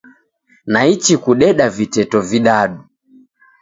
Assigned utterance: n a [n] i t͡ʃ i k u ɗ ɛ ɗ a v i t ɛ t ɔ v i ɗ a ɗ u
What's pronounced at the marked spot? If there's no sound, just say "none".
none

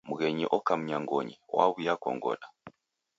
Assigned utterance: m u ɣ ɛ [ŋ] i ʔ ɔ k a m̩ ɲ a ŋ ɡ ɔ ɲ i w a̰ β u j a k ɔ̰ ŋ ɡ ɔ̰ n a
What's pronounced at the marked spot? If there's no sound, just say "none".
ɲ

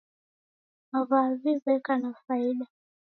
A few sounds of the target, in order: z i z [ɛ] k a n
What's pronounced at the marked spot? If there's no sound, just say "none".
ɛ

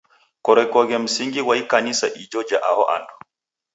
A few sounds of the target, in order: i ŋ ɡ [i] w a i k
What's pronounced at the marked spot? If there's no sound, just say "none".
i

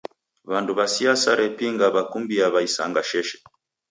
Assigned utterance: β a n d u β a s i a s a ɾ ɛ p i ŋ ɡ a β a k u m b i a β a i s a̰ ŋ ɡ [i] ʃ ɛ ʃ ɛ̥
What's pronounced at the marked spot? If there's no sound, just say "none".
a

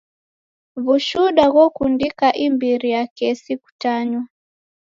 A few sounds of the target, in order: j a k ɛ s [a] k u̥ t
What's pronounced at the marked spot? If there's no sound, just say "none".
i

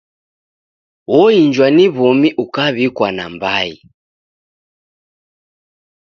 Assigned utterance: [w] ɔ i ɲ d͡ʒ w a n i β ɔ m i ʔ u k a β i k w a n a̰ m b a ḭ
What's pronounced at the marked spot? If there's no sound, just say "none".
w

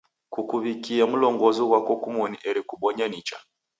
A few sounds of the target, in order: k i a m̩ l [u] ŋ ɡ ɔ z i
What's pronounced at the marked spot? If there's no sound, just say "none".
ɔ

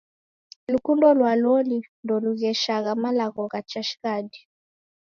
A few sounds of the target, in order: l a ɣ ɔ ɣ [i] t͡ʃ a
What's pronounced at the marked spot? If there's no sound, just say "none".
a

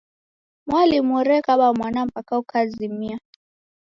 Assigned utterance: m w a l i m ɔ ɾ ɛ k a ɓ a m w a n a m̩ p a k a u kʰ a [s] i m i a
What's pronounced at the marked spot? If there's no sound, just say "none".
z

